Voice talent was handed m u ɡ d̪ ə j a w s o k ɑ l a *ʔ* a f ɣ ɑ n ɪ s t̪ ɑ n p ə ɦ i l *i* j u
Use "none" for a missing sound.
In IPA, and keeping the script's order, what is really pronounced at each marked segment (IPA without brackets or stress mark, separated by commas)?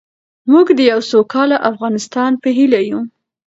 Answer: ʔ, a